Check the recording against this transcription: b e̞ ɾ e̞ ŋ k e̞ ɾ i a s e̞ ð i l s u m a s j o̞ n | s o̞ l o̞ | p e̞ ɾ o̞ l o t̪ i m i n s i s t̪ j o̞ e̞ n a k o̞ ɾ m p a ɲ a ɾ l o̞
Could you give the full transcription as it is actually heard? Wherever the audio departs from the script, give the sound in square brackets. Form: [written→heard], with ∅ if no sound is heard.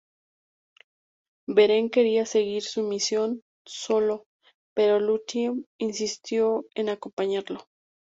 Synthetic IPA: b e̞ ɾ e̞ ŋ k e̞ ɾ i a s e̞ [ð→ɣ] i [l→ɾ] s u m [a→i] s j o̞ n | s o̞ l o̞ | p e̞ ɾ o̞ l [o→u] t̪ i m i n s i s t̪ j o̞ e̞ n a k o̞ [ɾ→∅] m p a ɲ a ɾ l o̞